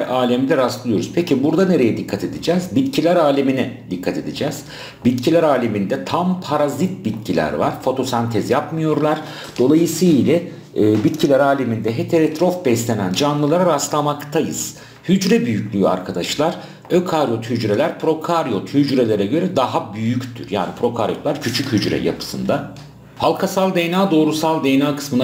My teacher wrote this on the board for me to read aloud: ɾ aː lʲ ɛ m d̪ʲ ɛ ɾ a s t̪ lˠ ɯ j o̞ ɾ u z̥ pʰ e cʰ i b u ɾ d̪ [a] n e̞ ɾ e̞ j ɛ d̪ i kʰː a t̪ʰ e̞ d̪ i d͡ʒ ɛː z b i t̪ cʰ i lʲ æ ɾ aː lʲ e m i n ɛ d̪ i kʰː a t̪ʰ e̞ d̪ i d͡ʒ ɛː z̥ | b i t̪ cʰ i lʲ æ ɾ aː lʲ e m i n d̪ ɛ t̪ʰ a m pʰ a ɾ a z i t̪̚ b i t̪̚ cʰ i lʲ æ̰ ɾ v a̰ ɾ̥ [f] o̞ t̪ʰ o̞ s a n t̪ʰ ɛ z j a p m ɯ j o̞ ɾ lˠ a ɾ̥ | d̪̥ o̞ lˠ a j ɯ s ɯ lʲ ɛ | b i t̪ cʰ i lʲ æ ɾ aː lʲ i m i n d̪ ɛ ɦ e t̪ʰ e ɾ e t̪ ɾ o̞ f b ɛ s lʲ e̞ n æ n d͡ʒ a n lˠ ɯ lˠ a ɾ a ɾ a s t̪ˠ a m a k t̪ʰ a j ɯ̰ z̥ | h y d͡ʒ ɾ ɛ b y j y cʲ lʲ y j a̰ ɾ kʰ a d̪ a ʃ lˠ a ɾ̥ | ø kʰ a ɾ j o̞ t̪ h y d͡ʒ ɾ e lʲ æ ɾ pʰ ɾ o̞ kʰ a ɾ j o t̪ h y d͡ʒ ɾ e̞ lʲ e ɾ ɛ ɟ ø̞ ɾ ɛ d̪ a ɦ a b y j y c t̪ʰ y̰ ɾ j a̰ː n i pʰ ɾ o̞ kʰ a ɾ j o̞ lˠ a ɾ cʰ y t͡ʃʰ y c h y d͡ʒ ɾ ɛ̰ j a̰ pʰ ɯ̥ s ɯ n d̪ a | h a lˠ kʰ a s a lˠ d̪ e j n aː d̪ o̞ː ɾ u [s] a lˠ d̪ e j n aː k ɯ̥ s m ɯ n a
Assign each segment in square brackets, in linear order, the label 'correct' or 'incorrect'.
correct, correct, correct

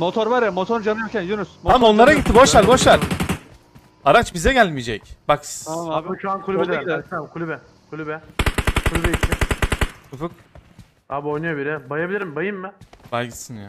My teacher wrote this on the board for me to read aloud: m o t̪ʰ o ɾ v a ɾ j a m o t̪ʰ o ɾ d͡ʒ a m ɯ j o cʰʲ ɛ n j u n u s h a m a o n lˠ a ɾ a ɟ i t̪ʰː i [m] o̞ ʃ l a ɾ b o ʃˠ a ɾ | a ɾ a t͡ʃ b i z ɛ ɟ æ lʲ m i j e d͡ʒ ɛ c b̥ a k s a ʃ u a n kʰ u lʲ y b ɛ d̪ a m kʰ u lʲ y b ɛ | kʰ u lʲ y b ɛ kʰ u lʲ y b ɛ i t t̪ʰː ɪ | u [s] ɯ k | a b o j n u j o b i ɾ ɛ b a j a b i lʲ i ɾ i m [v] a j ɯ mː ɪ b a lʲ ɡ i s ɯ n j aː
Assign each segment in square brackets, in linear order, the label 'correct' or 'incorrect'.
incorrect: b, incorrect: f, incorrect: b

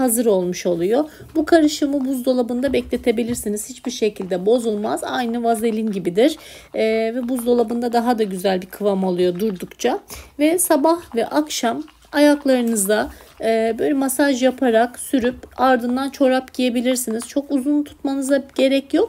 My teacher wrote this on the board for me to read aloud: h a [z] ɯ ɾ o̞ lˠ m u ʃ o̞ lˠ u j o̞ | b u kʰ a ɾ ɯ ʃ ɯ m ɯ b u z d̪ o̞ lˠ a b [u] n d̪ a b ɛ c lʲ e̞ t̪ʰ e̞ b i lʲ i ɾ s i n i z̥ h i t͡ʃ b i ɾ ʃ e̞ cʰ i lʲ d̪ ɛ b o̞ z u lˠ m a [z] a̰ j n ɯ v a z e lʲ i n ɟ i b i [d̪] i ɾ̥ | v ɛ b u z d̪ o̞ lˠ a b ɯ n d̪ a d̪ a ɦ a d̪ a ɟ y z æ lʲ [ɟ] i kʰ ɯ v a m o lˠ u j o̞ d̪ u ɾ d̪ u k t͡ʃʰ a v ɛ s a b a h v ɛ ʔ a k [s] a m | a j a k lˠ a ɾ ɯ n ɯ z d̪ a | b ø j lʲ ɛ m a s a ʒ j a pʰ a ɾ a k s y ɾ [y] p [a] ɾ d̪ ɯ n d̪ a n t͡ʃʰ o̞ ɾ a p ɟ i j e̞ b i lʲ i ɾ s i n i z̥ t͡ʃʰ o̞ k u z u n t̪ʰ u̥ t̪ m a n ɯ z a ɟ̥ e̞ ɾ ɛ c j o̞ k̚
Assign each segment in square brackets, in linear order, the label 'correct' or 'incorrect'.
correct, incorrect: ɯ, correct, correct, incorrect: b, incorrect: ʃ, correct, correct

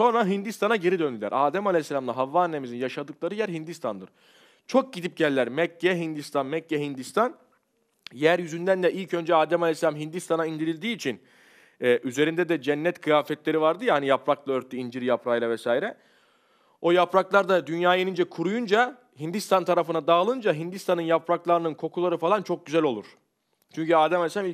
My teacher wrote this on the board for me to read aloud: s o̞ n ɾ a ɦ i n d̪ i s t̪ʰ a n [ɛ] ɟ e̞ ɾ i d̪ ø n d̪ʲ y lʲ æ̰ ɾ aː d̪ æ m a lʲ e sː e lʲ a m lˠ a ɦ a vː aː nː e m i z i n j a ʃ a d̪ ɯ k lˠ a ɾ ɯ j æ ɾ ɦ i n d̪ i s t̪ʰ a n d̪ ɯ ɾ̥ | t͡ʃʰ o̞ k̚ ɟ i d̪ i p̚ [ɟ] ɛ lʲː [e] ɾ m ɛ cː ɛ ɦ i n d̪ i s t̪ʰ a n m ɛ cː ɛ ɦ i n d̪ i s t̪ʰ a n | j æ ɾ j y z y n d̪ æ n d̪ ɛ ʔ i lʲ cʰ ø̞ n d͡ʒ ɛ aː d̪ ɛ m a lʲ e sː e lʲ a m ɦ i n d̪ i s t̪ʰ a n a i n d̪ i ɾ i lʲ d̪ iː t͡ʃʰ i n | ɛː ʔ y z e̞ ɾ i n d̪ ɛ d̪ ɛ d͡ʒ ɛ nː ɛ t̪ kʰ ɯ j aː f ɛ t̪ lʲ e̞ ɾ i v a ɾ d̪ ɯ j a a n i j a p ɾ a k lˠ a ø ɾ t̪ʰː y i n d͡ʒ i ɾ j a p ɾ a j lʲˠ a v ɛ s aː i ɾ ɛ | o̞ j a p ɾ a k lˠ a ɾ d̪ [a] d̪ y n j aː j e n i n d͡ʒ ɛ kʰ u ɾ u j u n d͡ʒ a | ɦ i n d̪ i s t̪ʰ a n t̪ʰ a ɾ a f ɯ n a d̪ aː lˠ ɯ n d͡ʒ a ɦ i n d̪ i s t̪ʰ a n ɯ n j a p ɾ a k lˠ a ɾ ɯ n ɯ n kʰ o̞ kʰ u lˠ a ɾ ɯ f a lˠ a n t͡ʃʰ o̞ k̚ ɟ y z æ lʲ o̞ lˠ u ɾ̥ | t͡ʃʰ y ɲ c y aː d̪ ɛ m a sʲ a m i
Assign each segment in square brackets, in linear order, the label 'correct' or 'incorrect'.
incorrect: a, correct, incorrect: æ, correct

